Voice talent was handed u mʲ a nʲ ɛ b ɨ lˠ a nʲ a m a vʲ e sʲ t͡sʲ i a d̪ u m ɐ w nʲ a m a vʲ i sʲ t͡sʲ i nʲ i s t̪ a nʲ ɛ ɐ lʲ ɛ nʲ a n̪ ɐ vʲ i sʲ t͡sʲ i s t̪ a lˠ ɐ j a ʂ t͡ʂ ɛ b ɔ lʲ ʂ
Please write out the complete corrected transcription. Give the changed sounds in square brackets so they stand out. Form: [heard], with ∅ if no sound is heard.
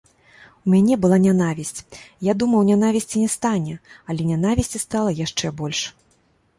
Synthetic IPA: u mʲ a nʲ ɛ b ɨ lˠ a nʲ a [n] a vʲ [i] sʲ t͡sʲ [j] a d̪ u m ɐ w nʲ a [n] a vʲ i sʲ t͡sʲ i nʲ [ɛ] s t̪ a nʲ ɛ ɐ lʲ ɛ nʲ a n̪ [a] vʲ i sʲ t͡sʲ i s t̪ a lˠ ɐ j a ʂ t͡ʂ ɛ b ɔ lʲ ʂ